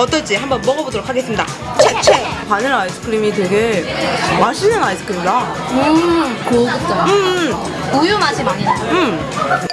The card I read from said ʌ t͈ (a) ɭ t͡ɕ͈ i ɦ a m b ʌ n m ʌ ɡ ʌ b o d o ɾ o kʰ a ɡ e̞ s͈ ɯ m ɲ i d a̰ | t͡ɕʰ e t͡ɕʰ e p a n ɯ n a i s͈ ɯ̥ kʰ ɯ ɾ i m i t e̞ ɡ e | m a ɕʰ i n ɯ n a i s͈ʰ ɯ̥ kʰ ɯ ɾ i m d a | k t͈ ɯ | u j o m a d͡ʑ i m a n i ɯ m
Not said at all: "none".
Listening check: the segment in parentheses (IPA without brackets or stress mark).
ʌ